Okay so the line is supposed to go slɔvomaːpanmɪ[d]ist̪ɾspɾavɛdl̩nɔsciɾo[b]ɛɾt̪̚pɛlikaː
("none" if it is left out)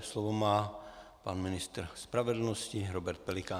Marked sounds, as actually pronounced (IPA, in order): n, b

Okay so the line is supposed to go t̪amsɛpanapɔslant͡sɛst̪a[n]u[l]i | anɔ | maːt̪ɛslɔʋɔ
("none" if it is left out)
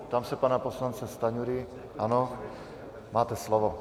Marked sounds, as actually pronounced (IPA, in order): ɲ, ɾ

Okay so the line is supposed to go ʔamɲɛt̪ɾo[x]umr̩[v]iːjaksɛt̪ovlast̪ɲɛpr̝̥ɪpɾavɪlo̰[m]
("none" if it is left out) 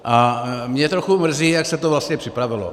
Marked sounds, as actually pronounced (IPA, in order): x, z, none

